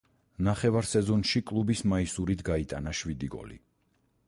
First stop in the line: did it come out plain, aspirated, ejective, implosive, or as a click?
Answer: ejective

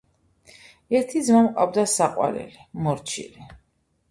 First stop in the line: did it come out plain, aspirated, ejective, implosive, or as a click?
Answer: aspirated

